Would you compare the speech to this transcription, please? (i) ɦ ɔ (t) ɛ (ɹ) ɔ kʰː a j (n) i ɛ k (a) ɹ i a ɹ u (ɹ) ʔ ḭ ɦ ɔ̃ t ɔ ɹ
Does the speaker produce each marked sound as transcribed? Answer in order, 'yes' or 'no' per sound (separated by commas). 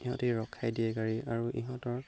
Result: yes, yes, yes, no, yes, no